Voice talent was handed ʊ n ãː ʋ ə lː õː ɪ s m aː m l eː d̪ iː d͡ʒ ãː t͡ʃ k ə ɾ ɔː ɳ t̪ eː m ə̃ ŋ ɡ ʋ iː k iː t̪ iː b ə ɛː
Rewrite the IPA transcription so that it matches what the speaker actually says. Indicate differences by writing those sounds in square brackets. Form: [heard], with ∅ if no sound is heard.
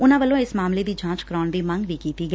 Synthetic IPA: ʊ n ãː ʋ ə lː õː ɪ s m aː m l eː d̪ iː d͡ʒ ãː t͡ʃ k ə ɾ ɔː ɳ [d̪] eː m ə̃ ŋ ɡ ʋ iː k iː t̪ iː [ɡ] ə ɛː